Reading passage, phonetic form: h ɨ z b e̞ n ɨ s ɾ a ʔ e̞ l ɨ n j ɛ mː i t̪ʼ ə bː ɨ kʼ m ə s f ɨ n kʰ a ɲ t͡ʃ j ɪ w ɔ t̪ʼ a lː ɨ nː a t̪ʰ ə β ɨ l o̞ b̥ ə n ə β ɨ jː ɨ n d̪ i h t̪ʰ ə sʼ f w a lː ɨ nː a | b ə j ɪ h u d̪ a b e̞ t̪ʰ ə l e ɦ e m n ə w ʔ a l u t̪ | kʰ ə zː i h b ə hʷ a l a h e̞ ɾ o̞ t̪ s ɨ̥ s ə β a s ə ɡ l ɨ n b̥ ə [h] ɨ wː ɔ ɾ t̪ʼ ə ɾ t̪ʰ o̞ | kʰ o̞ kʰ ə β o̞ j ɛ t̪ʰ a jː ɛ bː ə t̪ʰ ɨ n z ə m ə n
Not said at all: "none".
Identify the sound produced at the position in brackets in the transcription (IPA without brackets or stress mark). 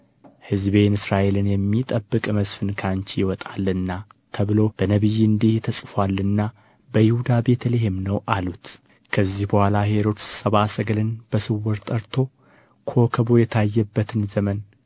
s